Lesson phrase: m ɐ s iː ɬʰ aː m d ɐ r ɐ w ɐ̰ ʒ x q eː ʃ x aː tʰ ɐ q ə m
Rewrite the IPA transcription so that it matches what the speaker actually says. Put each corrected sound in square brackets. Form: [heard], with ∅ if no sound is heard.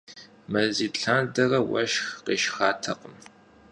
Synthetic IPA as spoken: m ɐ [z] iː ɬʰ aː [n] d ɐ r ɐ w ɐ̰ [ʃ] x q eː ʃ x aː tʰ ɐ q ə m